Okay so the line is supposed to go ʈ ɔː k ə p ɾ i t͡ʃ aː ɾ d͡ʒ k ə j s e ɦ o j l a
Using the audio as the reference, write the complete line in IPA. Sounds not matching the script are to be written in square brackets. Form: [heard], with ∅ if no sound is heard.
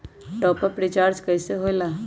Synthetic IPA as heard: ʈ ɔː [p] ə p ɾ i t͡ʃ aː ɾ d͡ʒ k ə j s e ɦ o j l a